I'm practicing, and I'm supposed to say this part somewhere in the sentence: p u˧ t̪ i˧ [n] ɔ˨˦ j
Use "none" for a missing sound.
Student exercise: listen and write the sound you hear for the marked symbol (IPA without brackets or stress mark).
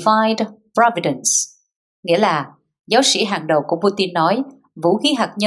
nː